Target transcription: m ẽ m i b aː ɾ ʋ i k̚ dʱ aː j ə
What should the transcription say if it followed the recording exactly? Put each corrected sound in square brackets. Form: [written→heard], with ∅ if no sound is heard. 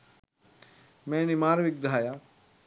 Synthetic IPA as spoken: m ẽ [m→n] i [b→m] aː ɾ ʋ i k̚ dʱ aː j [ə→a]